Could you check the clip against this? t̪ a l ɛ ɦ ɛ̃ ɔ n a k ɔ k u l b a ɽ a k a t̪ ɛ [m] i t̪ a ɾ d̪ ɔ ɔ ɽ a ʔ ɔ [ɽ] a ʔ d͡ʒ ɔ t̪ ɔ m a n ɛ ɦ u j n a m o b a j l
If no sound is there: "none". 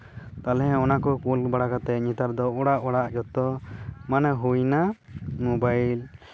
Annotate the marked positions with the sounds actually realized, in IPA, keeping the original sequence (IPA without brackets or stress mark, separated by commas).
ɲ, ɽ